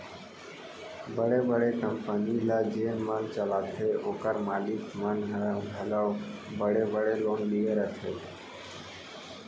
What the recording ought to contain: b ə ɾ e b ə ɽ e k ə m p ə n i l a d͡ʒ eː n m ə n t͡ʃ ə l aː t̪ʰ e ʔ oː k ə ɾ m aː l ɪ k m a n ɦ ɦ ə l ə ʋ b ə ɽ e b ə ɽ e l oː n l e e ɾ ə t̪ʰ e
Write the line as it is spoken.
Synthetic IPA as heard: b ə ɽ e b ə ɽ e k ə m p ə n i l a d͡ʒ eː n m ə n t͡ʃ ə l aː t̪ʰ e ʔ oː k ə ɾ m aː l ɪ k m ə n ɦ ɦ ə l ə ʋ b ə ɽ e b ə ɽ e l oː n l i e ɾ ə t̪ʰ e